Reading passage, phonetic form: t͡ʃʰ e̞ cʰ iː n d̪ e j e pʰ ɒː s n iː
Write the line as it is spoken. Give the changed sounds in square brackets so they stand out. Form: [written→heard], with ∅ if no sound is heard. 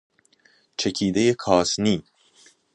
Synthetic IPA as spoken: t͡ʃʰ e̞ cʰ iː [n→∅] d̪ e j e [pʰ→kʰ] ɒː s n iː